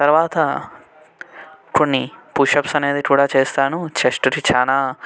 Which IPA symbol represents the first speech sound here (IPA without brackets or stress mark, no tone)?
t̪